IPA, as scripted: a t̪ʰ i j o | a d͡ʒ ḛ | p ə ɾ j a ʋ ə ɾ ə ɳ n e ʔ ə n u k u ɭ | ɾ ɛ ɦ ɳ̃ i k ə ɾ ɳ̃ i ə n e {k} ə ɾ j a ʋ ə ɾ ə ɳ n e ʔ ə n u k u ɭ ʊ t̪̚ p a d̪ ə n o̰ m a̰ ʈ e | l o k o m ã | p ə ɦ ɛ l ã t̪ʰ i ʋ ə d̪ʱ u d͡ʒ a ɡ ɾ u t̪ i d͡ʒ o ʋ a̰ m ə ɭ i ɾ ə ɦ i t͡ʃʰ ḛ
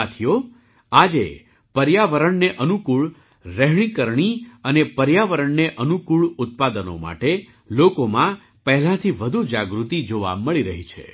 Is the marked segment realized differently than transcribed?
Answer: yes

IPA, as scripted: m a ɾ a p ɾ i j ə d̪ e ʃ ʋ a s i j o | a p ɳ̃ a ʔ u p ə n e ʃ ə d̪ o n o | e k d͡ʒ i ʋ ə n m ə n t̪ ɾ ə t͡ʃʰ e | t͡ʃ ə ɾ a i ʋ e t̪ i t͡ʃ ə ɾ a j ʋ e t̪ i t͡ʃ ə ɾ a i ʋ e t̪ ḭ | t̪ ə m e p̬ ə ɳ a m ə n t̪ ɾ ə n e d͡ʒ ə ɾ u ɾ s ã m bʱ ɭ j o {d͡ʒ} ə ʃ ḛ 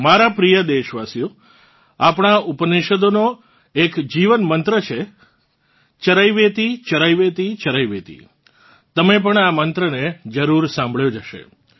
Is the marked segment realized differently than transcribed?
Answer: no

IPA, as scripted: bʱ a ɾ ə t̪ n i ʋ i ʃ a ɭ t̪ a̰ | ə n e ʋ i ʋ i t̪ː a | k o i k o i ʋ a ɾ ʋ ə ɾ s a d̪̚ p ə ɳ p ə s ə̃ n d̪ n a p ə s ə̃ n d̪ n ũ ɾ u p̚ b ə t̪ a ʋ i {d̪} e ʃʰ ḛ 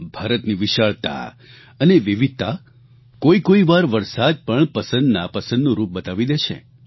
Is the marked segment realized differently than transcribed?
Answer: no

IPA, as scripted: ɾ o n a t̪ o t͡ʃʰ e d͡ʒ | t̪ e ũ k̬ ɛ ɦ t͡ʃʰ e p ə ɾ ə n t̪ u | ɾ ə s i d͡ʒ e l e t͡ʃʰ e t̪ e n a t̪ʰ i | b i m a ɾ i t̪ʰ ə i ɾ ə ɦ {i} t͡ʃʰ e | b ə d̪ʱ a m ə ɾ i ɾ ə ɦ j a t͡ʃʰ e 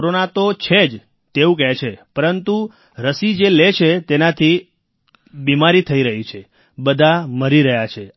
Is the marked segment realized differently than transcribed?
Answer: no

